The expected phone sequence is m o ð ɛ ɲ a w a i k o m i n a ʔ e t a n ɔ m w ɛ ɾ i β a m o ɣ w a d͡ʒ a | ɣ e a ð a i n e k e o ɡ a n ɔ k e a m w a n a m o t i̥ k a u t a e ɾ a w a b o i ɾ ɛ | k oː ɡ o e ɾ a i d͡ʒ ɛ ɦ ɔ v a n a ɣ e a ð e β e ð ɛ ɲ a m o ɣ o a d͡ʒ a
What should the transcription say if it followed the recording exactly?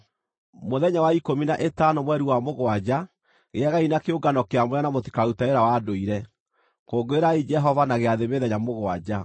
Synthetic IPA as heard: m o ð ɛ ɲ a w a i k o m i n a ʔ e t a n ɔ m w ɛ ɾ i w a m o ɣ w a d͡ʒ a | ɣ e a ɣ a i n a k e o ɡ a n ɔ k e a m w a n a m o t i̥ k a u t a e ɾ a w a d o i ɾ ɛ | k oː ɡ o e ɾ a i d͡ʒ ɛ ɦ ɔ v a n a ɣ e a ð e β e ð ɛ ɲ a m o ɣ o a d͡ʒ a